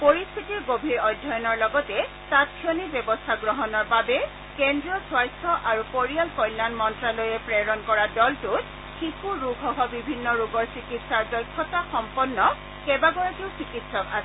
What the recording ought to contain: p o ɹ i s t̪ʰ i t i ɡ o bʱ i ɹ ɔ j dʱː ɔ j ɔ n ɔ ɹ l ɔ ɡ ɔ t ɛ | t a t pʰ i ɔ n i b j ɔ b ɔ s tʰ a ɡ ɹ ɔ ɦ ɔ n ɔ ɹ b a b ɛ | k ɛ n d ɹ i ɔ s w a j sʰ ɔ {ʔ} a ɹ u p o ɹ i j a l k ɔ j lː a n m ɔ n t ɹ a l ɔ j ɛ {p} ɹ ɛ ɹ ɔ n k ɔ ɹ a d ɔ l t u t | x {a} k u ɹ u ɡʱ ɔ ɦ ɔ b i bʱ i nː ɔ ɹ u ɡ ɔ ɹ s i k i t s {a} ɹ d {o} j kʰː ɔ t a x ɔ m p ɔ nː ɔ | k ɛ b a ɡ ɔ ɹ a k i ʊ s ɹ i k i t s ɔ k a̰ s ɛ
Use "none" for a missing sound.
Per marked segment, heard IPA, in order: ʔ, p, i, a, ɔ

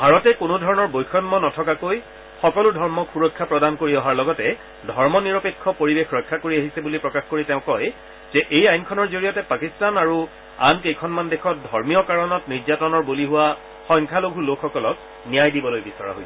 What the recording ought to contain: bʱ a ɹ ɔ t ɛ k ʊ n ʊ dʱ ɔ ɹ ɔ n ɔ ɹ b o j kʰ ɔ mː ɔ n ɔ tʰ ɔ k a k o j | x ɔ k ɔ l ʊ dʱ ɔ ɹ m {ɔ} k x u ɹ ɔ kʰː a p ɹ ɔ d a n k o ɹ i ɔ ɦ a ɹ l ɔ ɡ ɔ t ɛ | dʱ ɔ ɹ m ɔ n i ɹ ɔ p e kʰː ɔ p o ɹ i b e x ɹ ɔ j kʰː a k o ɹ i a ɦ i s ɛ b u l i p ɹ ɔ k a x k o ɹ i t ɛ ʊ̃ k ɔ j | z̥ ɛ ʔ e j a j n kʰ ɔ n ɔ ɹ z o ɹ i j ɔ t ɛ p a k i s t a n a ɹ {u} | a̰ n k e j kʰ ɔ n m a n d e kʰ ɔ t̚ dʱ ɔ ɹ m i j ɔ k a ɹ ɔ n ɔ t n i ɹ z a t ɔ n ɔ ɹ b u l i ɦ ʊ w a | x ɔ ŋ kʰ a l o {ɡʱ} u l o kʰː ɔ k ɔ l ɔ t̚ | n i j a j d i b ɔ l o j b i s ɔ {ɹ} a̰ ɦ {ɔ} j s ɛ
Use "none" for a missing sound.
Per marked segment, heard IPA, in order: ɔ, u, ɡʱ, ɹ, o

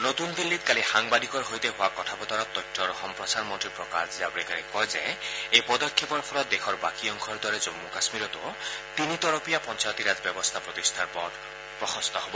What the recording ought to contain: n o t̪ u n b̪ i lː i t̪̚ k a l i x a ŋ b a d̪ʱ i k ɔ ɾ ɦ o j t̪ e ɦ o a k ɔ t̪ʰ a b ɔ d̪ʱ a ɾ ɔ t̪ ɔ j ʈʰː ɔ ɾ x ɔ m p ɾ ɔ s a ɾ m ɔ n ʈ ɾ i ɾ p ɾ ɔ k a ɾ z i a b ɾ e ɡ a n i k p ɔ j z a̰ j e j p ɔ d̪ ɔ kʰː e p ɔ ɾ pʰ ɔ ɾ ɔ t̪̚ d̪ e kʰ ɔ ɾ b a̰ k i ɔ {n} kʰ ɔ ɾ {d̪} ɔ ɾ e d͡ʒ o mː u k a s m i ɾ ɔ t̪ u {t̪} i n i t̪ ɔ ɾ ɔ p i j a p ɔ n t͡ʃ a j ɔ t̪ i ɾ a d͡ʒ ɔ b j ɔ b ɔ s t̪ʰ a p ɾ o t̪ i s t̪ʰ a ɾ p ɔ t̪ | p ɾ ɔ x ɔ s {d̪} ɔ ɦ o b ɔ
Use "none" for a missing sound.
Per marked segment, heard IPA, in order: ŋ, d̪, t̪, t̪

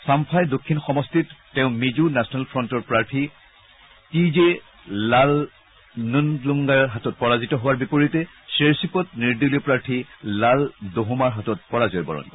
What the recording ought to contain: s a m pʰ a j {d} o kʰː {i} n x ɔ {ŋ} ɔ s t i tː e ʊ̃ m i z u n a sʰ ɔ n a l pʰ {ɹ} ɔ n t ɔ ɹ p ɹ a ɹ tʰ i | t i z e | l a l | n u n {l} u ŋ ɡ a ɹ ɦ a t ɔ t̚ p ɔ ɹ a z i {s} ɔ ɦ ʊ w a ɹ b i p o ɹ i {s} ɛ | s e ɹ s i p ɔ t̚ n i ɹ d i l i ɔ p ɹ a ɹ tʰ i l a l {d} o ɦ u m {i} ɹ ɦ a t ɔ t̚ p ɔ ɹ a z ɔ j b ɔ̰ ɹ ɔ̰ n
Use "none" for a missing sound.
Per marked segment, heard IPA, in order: d, i, m, ɹ, l, t, t, d, a

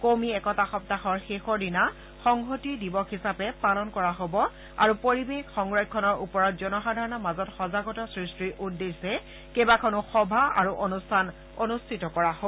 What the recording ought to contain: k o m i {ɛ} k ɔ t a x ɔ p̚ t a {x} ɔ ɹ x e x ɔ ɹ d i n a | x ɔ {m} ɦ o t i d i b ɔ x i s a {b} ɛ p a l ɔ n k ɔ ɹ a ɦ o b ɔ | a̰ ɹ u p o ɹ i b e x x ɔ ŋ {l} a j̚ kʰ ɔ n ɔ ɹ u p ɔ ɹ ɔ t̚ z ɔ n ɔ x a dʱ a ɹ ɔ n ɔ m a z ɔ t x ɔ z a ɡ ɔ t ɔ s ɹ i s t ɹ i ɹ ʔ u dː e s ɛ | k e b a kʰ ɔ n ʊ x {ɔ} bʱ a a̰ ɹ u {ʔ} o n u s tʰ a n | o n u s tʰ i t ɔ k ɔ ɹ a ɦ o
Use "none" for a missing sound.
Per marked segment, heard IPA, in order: ɛ, x, ŋ, p, ɹ, ɔ, ʔ

